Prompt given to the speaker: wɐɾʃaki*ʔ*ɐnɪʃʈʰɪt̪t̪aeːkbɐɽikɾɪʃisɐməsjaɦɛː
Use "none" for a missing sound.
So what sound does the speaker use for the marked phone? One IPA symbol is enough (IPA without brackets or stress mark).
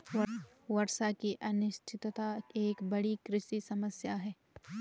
ʔ